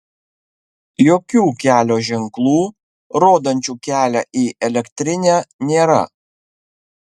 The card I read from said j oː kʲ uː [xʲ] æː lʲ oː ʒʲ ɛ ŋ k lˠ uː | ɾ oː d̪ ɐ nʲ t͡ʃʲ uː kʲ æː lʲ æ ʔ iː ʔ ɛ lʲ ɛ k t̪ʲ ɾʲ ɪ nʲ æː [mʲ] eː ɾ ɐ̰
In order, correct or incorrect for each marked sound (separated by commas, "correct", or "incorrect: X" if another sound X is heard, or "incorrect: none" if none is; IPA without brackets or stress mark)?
incorrect: kʲ, incorrect: nʲ